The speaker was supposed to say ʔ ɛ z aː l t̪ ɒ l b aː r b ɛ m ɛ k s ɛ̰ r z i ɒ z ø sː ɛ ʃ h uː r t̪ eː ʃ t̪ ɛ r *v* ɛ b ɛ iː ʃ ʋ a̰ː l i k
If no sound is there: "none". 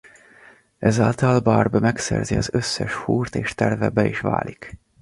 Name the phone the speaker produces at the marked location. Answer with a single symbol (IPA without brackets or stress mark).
v